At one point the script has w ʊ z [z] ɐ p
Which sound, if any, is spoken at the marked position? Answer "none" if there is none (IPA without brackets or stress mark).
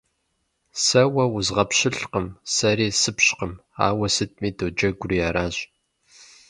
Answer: ʁ